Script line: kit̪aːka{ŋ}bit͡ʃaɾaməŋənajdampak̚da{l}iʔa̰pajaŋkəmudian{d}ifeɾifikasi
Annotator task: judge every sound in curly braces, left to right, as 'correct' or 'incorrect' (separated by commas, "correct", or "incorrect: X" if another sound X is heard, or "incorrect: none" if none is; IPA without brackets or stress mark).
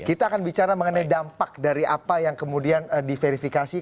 incorrect: n, incorrect: ɾ, correct